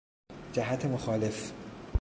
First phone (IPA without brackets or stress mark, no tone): d͡ʒ